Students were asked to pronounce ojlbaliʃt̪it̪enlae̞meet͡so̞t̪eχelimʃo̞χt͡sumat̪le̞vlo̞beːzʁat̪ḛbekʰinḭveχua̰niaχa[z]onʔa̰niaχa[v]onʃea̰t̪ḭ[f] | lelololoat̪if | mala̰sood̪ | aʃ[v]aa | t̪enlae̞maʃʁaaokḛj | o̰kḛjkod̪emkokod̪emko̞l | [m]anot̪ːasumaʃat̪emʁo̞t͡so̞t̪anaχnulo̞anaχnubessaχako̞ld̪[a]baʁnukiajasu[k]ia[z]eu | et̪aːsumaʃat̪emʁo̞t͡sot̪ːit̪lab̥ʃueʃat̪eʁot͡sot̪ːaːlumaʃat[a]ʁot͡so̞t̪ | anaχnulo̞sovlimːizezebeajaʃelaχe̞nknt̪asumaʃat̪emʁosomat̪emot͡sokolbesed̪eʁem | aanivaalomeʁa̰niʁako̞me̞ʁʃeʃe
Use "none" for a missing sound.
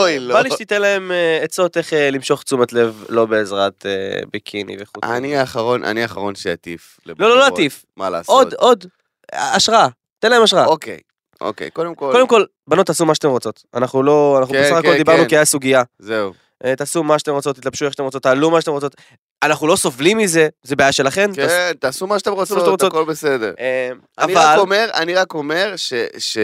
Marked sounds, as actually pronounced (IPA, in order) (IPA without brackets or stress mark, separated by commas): ʁ, ʁ, f, ʁ, b, i, ɡ, z, e